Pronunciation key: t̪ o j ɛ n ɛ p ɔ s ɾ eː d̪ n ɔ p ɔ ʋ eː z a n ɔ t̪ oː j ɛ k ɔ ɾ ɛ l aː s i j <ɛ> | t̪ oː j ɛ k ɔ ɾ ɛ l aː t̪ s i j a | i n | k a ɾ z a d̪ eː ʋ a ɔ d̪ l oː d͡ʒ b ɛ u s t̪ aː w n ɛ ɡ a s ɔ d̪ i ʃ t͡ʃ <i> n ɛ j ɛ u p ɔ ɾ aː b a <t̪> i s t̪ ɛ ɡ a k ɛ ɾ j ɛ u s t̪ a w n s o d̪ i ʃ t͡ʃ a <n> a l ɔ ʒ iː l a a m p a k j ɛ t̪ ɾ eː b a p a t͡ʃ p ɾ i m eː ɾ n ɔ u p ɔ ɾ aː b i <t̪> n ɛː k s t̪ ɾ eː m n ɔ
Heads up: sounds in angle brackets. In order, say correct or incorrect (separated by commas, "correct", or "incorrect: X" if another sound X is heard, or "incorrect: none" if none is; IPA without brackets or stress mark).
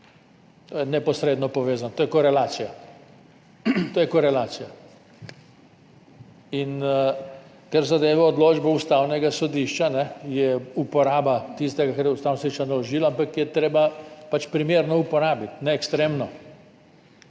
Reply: incorrect: a, incorrect: a, correct, correct, correct